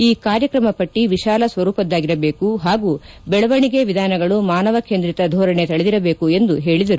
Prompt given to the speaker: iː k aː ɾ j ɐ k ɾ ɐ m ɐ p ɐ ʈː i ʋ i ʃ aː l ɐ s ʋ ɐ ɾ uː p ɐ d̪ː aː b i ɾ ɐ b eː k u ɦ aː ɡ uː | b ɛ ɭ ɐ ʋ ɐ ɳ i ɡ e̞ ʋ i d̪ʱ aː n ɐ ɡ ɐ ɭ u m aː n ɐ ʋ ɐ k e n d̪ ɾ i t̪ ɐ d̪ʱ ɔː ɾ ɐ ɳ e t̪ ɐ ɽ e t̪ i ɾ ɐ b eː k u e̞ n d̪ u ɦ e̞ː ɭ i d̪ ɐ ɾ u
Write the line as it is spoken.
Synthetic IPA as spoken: iː k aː ɾ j ɐ k ɾ ɐ m ɐ p ɐ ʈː i ʋ i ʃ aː l ɐ s ʋ ɐ ɾ uː p ɐ d̪ː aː ɡ i ɾ ɐ b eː k u ɦ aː ɡ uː | b ɛ ɭ ɐ ʋ ɐ ɳ i ɡ e̞ ʋ i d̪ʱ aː n ɐ ɡ ɐ ɭ u m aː n ɐ ʋ ɐ k e n d̪ ɾ i t̪ ɐ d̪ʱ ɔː ɾ ɐ ɳ e t̪ ɐ ɭ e d̪ i ɾ ɐ b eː k u e̞ n d̪ u ɦ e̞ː ɭ i d̪ ɐ ɾ u